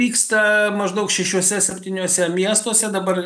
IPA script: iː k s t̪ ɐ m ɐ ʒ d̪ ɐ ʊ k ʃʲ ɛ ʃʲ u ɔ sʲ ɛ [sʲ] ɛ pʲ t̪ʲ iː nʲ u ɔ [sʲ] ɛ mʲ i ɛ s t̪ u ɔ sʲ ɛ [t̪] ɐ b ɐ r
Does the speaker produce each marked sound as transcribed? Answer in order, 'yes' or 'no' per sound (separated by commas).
yes, yes, no